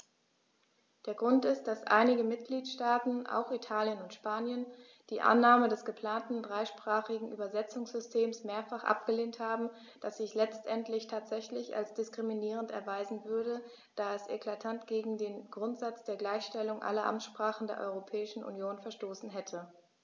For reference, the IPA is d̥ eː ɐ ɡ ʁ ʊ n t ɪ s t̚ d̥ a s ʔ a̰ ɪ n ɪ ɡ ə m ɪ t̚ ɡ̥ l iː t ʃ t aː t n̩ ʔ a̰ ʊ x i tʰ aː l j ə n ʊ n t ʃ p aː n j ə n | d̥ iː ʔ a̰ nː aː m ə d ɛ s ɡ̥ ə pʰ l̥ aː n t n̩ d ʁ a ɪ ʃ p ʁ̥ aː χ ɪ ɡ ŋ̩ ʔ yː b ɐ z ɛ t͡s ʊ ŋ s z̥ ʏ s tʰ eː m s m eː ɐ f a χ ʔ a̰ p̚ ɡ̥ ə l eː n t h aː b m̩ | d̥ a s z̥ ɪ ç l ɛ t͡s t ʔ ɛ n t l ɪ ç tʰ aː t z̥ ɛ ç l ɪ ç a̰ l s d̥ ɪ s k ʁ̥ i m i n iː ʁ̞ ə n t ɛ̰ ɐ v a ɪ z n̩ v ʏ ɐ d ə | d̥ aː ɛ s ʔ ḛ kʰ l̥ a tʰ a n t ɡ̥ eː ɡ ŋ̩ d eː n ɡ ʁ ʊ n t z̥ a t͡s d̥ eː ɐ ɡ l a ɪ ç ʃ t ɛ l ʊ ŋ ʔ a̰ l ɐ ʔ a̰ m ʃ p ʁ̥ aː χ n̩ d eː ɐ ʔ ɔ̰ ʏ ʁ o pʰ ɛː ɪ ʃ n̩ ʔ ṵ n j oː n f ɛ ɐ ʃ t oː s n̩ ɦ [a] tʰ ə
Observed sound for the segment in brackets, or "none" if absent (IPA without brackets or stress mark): ɛ